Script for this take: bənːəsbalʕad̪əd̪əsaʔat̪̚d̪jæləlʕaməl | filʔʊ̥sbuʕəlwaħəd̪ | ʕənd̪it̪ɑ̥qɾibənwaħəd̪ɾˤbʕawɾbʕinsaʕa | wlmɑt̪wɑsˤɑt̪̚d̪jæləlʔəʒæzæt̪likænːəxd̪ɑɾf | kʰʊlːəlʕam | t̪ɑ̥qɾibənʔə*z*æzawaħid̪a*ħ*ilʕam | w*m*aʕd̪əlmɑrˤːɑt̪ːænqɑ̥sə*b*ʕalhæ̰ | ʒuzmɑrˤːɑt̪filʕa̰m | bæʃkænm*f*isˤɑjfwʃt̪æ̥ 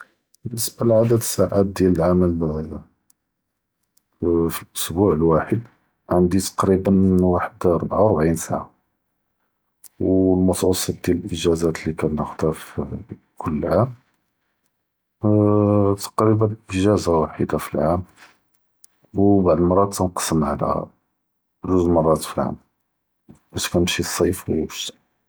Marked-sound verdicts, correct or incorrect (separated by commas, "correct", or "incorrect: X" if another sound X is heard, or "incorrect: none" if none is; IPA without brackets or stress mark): incorrect: ʒ, incorrect: f, incorrect: b, incorrect: m, incorrect: ʃ